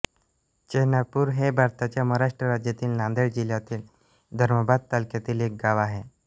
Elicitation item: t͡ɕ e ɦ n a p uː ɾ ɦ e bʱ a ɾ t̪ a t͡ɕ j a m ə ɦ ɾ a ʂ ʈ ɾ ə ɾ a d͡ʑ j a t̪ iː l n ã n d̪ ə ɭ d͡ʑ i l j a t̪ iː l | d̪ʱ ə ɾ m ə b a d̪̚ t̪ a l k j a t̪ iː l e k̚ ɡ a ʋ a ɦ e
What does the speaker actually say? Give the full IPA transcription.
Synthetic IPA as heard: t͡ɕ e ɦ n a p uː ɾ ɦ e bʱ a ɾ t̪ a t͡ɕ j a m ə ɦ ɾ a ʂ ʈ ɾ ə ɾ a d͡ʑ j a t̪ iː l n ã n d̪ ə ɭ d͡ʑ i l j a t̪ iː l | d̪ʱ ə ɾ m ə b a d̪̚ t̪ a l k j a t̪ iː l e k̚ ɡ a ʋ a ɦ e